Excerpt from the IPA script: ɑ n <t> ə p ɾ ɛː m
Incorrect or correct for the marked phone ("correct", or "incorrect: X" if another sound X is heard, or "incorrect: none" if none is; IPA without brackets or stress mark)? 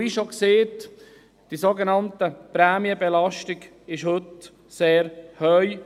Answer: correct